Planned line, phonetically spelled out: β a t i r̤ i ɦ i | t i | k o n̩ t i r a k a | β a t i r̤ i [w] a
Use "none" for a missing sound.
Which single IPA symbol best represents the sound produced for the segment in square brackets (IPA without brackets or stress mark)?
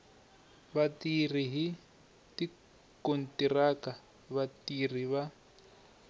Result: β